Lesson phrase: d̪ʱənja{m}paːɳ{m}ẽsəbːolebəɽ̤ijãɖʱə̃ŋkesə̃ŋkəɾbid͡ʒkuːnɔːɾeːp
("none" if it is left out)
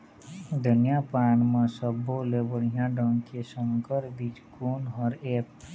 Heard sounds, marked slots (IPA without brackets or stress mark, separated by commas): none, m